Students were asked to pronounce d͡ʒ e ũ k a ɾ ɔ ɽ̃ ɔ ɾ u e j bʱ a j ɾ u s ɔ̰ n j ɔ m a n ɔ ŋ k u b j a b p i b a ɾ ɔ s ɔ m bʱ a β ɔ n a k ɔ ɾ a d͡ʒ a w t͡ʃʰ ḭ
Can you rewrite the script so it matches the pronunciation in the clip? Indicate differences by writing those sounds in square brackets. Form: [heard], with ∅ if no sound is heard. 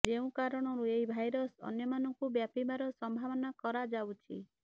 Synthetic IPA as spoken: d͡ʒ e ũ k a ɾ ɔ ɽ̃ ɔ ɾ u e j bʱ a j ɾ [ɔ] s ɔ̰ n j ɔ m a n ɔ ŋ k u b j a [∅] p i b a ɾ ɔ s ɔ m bʱ a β ɔ n a k ɔ ɾ a d͡ʒ a w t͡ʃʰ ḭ